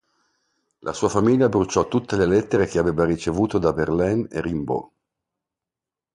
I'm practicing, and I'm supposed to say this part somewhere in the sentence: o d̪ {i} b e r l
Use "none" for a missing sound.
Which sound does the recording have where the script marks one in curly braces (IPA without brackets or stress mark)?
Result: a